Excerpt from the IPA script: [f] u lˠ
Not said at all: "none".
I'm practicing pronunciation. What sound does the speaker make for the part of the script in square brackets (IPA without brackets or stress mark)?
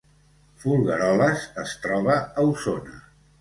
f